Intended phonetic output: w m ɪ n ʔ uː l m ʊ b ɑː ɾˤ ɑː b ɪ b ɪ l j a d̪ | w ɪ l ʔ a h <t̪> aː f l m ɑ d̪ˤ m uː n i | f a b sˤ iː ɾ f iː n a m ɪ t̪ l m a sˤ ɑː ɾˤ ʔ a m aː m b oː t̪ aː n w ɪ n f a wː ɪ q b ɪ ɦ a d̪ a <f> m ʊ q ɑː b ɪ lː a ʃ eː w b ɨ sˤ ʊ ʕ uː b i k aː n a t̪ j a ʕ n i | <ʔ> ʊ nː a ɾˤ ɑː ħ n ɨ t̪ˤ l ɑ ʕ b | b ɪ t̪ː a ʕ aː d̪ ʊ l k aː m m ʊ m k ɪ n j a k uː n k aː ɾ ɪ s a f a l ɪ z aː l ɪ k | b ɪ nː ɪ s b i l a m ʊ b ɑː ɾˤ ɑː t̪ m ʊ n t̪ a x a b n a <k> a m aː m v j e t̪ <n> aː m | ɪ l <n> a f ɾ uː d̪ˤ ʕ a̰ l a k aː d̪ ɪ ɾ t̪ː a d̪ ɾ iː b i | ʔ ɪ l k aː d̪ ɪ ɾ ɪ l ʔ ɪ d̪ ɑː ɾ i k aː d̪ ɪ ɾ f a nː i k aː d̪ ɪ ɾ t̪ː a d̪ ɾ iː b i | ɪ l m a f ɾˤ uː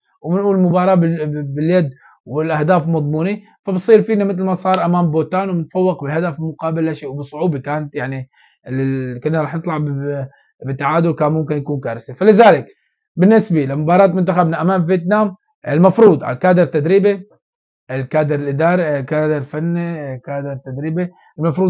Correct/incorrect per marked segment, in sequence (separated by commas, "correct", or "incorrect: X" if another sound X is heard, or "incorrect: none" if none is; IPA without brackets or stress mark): incorrect: d̪, correct, incorrect: k, incorrect: ʔ, correct, incorrect: m